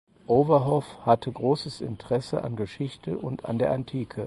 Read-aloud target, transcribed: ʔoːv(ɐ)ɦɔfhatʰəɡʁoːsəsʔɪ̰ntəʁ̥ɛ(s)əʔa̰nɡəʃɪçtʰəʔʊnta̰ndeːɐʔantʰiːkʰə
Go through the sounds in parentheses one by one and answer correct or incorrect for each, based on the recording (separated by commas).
correct, correct